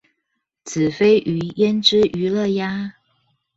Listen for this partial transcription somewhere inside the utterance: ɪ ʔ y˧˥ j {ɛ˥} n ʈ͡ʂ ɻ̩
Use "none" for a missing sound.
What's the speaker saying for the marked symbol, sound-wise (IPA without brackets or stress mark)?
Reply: ɛ˥